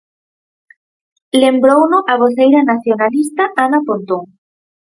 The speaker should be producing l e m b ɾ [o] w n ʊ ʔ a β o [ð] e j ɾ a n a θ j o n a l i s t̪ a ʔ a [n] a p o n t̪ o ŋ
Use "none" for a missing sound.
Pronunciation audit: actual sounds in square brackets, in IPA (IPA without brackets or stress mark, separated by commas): o, θ, n